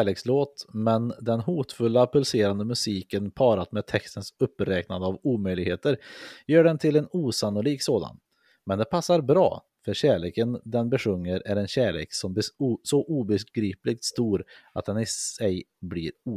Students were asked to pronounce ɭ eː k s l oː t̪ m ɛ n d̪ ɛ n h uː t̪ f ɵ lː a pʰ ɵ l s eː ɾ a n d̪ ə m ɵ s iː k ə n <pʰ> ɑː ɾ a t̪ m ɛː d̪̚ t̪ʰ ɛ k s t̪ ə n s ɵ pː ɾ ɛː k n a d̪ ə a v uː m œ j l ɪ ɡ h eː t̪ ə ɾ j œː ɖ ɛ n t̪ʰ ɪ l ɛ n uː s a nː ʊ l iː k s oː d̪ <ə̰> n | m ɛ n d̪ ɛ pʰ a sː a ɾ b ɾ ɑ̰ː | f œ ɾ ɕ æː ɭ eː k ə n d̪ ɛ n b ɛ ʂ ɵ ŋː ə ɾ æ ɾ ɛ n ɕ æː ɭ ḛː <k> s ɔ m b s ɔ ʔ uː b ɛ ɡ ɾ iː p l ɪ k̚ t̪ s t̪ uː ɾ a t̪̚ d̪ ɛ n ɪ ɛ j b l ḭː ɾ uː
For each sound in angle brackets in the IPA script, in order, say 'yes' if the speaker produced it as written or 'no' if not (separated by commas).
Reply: yes, no, yes